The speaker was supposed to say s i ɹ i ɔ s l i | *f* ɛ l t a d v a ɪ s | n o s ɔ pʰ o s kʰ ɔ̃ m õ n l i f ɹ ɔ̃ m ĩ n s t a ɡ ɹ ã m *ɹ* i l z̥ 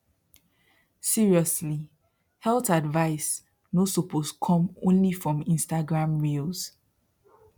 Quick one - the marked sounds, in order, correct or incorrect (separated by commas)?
incorrect, correct